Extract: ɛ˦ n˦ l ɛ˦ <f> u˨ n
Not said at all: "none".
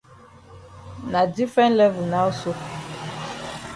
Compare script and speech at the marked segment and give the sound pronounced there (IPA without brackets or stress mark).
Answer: v